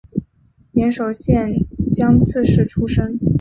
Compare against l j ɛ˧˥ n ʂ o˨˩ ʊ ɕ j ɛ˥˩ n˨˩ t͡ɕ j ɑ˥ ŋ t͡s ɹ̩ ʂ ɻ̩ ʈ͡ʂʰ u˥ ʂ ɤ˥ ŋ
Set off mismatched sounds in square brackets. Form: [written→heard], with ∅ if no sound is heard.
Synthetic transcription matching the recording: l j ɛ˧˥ n ʂ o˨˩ ʊ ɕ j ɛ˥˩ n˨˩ t͡ɕ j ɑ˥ ŋ [t͡s→t͡sʰ] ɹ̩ ʂ ɻ̩ ʈ͡ʂʰ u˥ ʂ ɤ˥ ŋ